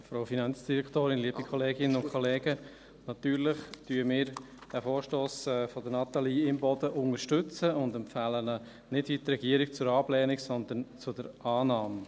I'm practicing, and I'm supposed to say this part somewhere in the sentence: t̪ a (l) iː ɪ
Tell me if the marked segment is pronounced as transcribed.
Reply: yes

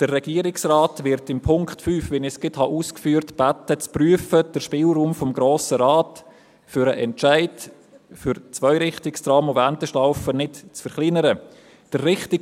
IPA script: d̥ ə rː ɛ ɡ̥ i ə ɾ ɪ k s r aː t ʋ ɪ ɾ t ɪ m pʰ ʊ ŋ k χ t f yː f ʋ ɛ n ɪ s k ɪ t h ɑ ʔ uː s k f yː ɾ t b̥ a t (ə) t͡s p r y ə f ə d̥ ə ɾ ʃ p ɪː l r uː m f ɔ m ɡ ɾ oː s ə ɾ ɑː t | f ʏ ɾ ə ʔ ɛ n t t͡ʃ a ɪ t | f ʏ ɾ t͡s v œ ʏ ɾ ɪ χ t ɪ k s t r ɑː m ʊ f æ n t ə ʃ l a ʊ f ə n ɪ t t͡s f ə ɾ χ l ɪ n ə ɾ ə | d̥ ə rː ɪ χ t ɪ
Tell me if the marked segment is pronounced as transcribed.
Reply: yes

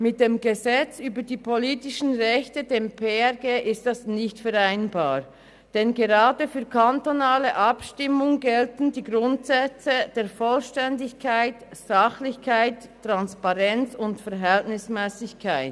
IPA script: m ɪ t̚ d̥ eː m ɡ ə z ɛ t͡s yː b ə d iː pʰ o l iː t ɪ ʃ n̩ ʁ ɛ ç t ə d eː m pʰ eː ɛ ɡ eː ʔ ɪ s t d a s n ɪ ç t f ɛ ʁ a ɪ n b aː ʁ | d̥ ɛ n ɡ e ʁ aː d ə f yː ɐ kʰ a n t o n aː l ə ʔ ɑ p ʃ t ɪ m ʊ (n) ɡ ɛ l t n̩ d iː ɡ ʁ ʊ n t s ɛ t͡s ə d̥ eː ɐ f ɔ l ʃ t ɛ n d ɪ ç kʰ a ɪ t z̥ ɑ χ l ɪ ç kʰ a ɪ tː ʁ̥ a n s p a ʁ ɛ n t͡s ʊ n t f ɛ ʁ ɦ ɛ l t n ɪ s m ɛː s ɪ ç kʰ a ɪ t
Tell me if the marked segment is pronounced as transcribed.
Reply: no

